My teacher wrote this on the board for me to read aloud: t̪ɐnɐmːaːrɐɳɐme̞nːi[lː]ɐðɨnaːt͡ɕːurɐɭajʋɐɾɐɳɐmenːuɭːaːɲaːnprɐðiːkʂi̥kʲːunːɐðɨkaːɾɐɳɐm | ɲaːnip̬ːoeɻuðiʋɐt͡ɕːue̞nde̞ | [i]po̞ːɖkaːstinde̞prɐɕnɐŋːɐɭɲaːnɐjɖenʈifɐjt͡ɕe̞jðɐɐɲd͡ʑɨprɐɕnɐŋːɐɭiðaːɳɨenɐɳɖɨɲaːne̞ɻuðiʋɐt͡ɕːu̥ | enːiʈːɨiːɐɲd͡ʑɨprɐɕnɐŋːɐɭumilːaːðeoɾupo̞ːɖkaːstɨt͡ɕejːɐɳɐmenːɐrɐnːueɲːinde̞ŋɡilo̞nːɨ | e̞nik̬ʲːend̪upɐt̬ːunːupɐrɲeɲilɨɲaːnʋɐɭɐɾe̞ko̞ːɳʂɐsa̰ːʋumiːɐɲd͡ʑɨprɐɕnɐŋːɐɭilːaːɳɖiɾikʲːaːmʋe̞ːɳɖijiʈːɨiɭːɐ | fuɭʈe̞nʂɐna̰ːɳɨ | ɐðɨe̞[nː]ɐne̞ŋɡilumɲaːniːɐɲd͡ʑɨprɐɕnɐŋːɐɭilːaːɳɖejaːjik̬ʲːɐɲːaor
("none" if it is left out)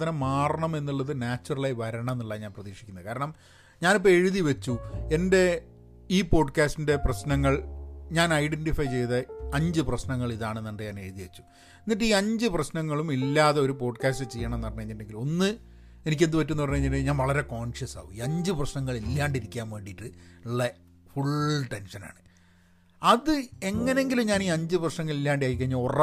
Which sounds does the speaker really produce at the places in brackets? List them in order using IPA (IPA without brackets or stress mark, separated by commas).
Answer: ɭː, iː, ŋː